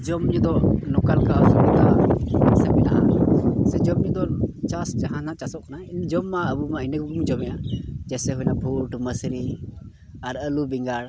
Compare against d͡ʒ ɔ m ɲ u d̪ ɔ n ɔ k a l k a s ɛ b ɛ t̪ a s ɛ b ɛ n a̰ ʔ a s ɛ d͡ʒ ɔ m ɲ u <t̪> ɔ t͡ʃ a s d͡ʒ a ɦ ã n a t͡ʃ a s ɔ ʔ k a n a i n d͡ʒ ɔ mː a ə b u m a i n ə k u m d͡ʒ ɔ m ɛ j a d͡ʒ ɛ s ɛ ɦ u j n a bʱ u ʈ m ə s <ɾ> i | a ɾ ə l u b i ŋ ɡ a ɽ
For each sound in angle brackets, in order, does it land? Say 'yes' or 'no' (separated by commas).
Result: no, yes